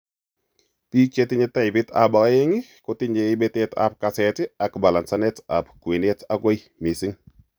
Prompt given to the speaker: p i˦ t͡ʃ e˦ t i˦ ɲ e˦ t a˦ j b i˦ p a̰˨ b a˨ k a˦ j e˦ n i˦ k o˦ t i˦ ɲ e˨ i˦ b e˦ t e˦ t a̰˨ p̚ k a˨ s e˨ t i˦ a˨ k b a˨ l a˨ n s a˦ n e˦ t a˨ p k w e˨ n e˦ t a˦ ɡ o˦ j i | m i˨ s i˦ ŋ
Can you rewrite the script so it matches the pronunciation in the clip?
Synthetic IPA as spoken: p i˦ t͡ʃ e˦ t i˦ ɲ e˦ t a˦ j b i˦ t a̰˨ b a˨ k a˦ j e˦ ŋ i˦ k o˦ t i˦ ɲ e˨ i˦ b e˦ t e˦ t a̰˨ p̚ k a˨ s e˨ t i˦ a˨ k b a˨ l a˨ n s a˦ n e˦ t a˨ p k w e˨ n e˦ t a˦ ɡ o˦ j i | m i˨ s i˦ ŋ